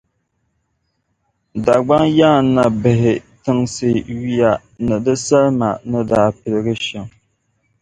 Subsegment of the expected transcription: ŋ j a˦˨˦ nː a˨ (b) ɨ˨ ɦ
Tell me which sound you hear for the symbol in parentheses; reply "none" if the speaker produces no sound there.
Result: b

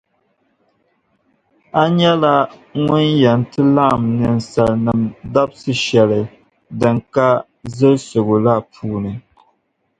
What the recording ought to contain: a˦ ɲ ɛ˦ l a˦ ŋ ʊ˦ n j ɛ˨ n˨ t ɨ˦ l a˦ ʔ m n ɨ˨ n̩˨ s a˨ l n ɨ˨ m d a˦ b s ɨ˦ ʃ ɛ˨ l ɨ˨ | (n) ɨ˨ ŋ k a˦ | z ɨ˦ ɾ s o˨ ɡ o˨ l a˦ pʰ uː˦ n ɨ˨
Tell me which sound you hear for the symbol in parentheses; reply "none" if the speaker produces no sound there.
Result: d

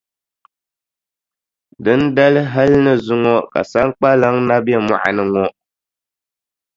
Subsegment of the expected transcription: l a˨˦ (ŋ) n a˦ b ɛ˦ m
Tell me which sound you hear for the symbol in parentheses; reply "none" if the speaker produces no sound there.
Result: ŋ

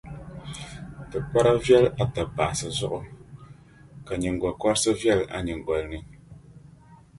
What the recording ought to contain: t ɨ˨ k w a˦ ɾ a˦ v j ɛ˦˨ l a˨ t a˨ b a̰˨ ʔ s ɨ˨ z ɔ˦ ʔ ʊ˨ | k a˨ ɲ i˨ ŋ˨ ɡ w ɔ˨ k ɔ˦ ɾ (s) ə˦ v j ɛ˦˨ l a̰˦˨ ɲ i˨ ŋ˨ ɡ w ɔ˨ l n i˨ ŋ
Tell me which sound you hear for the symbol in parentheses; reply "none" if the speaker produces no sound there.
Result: s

